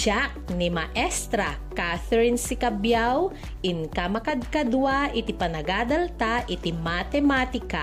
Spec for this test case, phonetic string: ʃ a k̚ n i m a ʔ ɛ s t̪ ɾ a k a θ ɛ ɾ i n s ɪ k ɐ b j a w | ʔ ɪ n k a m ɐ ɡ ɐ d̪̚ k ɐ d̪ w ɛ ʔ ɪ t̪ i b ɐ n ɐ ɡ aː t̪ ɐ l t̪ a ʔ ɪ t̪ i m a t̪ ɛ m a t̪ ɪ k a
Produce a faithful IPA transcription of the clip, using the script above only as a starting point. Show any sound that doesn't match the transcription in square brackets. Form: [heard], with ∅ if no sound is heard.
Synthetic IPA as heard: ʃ a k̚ n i m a ʔ ɛ s t̪ ɾ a k a θ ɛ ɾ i n s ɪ k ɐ b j a w | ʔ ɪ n k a m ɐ [k] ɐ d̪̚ k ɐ d̪ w [a] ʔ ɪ t̪ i [p] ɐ n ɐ ɡ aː [d̪] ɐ l t̪ a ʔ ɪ t̪ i m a t̪ ɛ m a t̪ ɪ k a